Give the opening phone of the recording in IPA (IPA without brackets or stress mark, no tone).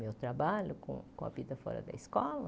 m